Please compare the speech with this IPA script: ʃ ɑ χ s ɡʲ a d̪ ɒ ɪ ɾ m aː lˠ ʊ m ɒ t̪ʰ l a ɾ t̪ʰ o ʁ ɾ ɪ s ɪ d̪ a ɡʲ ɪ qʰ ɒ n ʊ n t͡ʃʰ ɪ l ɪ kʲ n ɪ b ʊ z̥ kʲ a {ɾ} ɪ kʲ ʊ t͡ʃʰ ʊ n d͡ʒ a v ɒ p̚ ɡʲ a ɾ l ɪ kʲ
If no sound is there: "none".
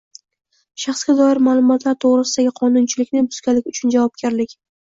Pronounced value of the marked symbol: l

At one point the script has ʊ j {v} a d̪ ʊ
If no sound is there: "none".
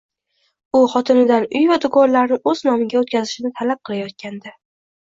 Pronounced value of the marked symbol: v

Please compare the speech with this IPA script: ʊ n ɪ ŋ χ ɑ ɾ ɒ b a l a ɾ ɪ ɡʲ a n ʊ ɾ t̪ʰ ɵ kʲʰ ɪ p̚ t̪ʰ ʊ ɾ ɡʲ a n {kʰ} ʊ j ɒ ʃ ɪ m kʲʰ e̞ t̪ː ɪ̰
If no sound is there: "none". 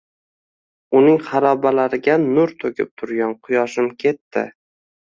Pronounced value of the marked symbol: qʰ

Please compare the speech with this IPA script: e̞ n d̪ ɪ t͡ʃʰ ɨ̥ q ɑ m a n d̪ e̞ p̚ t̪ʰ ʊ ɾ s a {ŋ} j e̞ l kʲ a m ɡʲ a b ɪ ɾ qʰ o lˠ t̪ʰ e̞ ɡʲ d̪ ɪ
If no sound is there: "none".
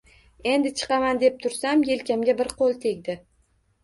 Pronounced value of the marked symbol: m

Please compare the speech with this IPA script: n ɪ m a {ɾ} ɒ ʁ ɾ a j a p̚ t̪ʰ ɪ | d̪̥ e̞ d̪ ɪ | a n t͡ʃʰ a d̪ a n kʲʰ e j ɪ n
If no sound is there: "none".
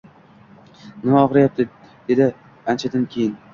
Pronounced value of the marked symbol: none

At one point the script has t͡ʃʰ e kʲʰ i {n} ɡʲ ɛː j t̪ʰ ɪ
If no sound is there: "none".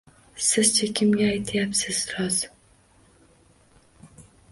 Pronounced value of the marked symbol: m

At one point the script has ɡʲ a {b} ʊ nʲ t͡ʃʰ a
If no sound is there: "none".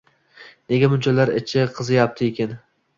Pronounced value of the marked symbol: m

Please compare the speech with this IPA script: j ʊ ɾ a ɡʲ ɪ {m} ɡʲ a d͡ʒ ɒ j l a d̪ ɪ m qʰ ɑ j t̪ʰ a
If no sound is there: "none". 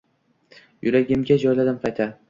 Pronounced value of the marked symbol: m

